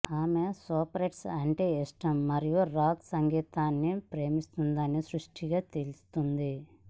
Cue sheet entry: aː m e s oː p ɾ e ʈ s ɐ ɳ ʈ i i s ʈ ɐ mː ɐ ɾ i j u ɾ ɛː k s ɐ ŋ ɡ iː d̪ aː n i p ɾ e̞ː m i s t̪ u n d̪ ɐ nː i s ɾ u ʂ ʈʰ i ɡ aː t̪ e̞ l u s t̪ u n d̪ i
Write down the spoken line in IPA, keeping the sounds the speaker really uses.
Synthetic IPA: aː m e s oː p ɾ e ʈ s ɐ ɳ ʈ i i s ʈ ɐ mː ɐ ɾ i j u ɾ aː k s ɐ ŋ ɡ iː t̪ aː nː i p ɾ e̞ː m i s t̪ u n d̪ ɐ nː i s ɾ u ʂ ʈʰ i ɡ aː t̪ e̞ l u s t̪ u n d̪ i

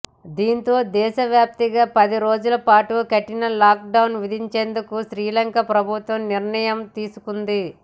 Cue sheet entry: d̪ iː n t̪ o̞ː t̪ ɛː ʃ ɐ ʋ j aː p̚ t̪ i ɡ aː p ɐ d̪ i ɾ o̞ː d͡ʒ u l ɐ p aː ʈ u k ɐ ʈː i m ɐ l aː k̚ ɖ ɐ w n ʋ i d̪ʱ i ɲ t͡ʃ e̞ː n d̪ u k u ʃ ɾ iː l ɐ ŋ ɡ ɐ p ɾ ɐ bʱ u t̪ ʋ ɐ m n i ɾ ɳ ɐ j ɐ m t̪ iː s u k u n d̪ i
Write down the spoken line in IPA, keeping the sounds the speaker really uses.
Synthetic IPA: d̪ iː n t̪ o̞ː d̪ ɛː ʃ ɐ ʋ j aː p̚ t̪ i ɡ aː p ɐ d̪ i ɾ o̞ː d͡ʒ u l ɐ p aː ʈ u k ɐ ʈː i n ɐ l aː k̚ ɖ ɐ w n ʋ i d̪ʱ i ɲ t͡ʃ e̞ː n d̪ u k u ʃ ɾ iː l ɐ ŋ k ɐ p ɾ ɐ bʱ u t̪ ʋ ɐ m n i ɾ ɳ ɐ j ɐ m t̪ iː s u k u n d̪ i

